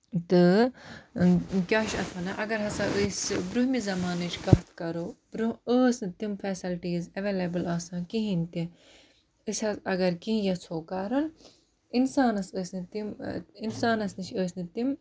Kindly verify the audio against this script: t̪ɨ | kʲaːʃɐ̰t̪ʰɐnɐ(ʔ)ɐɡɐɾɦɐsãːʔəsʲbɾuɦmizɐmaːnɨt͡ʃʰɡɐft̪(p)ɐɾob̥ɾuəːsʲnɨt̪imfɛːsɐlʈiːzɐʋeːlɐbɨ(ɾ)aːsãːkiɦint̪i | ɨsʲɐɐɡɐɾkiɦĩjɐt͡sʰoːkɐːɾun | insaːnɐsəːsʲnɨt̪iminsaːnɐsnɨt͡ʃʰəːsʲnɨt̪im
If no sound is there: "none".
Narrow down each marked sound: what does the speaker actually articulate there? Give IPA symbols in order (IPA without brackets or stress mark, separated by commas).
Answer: ʔ, k, l